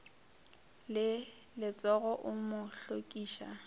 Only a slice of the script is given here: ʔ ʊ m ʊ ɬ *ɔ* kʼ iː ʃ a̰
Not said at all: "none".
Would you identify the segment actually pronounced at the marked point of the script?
o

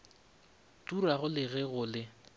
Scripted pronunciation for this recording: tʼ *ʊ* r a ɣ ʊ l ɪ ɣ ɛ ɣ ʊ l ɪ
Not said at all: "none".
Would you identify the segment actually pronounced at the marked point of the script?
u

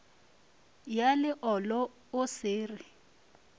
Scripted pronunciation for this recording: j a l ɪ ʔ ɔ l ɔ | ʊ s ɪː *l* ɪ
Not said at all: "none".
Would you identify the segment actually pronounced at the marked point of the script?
r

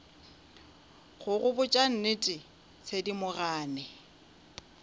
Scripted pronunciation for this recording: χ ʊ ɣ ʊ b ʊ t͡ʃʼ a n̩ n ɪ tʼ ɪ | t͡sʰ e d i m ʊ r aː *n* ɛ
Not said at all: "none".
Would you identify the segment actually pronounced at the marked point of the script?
n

